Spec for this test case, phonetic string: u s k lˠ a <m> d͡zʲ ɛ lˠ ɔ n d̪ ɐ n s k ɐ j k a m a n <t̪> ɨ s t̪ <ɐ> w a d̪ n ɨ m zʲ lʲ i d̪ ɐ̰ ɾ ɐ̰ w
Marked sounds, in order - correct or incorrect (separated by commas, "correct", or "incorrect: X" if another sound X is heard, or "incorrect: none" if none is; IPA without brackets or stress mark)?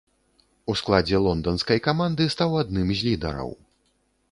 incorrect: none, incorrect: d̪, incorrect: a